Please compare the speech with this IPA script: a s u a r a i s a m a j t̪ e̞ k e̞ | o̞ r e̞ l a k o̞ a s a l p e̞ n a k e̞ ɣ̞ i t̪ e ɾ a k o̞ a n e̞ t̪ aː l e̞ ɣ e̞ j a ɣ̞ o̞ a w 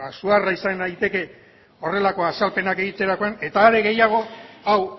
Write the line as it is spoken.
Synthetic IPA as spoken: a s u a r a i s a n a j t̪ e̞ k e̞ | o̞ r e̞ l a k o̞ a s a l p e̞ n a k e̞ ɣ̞ i t̪ e ɾ a k o̞ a n e̞ t̪ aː ɾ e̞ ɣ e̞ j a ɣ̞ o̞ a w